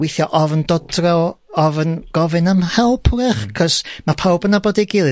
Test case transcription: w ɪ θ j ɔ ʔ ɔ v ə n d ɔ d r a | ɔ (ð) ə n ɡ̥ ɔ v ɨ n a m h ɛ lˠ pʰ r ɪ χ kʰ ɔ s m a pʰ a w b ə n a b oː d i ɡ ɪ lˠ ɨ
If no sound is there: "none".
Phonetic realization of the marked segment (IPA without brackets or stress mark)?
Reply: v